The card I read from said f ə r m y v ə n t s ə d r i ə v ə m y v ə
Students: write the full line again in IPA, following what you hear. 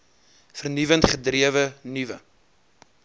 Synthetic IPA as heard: f ə r n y v ə n t χ ə d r i ə v ə n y v ə